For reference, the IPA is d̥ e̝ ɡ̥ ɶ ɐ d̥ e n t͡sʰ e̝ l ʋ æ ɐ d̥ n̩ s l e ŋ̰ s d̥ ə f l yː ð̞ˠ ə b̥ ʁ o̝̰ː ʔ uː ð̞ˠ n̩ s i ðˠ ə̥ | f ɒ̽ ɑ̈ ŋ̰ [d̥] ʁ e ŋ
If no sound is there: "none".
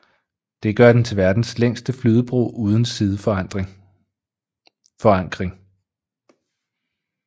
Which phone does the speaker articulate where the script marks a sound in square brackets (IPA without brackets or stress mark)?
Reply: ɡ̥